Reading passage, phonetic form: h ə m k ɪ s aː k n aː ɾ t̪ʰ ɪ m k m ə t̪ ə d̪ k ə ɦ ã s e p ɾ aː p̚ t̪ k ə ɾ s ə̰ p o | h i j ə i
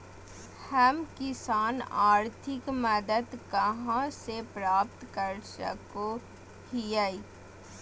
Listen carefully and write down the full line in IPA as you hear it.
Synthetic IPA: h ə m k ɪ s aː n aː ɾ t̪ʰ ɪ k m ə d̪ ə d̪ k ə ɦ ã s e p ɾ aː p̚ t̪ k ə ɾ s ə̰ k o | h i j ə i